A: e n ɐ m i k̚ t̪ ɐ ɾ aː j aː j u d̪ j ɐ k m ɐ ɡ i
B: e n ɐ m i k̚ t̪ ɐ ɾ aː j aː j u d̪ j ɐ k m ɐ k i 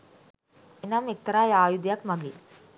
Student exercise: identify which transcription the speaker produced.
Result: A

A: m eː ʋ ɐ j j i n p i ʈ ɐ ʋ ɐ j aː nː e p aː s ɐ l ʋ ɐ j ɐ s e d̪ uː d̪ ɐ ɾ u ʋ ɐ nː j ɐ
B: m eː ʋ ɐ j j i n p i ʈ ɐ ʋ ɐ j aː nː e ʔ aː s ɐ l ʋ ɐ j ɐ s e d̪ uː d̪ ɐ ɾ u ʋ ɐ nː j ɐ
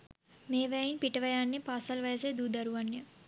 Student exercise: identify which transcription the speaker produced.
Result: A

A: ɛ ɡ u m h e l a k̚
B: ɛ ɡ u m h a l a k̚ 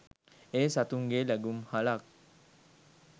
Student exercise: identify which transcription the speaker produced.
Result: B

